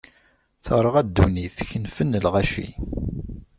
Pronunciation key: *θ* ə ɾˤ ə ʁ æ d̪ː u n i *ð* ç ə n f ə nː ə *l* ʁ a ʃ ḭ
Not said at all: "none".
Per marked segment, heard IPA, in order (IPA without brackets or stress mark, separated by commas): θ, θ, l